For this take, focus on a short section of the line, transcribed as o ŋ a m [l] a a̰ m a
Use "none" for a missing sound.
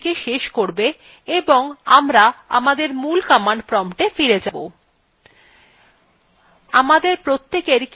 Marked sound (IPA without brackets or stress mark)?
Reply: ɾ